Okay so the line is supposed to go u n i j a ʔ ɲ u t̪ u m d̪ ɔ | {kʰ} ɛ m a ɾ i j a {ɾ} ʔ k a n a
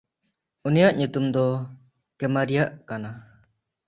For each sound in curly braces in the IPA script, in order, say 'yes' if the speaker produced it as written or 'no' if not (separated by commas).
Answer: no, no